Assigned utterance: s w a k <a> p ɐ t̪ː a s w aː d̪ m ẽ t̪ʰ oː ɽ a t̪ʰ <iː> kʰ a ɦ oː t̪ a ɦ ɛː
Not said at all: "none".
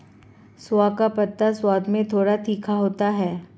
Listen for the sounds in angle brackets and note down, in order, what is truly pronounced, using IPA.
a, iː

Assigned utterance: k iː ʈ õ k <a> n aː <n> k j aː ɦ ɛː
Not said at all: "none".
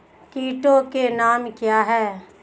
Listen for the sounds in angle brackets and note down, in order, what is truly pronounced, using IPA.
e, m

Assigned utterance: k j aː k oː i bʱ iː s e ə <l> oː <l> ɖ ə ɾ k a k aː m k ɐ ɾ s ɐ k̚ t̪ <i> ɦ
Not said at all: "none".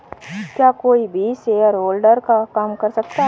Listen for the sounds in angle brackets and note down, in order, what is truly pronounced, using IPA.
ɾ, l, a

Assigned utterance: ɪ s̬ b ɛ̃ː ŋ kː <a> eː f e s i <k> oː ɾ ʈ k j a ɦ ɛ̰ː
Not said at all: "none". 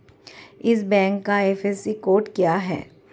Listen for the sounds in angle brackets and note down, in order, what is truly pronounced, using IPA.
a, k

